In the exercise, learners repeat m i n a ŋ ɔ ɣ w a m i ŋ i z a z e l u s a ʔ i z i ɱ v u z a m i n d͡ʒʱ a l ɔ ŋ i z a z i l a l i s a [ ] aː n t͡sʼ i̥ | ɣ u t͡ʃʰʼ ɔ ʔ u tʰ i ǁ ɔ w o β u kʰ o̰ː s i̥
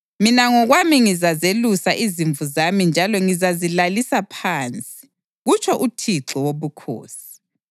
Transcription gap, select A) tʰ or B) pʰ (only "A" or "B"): B